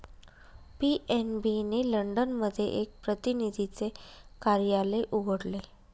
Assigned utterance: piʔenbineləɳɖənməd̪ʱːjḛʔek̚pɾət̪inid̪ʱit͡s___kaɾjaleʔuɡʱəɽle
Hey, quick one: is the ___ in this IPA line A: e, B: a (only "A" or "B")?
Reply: A